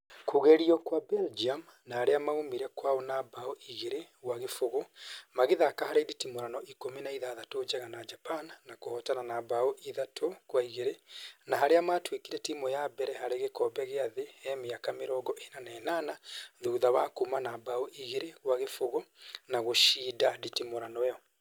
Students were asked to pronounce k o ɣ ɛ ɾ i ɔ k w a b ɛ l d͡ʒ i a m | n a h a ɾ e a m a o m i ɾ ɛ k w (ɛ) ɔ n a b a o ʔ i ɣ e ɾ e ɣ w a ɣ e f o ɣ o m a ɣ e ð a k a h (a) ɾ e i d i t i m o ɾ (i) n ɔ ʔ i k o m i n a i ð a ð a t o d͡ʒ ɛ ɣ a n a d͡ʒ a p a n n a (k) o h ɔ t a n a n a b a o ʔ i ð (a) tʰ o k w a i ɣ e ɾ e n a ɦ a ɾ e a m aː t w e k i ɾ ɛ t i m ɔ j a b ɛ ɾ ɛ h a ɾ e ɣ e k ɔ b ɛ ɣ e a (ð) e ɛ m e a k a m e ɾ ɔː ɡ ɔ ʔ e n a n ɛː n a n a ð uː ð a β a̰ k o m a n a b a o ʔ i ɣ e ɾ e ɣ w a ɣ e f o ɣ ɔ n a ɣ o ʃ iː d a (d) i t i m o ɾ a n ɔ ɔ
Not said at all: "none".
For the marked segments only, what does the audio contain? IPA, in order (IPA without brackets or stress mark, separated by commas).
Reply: a, a, a, k, a, ð, d